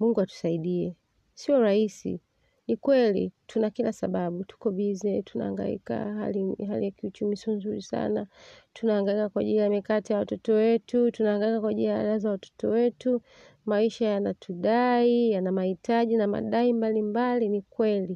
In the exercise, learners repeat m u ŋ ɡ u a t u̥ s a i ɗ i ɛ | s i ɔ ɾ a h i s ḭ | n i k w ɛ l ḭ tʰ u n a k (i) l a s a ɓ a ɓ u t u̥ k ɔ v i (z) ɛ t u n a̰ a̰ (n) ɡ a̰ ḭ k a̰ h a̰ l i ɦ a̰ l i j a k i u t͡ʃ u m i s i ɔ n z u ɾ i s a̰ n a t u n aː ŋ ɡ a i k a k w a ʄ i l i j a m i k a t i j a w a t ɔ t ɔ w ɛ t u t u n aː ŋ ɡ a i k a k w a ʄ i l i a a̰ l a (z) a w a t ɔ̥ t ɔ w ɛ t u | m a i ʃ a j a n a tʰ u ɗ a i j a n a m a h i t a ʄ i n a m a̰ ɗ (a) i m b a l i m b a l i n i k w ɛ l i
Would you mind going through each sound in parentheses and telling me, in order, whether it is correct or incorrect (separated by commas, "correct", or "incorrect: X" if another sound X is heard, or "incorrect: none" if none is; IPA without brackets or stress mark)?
correct, correct, incorrect: ŋ, correct, correct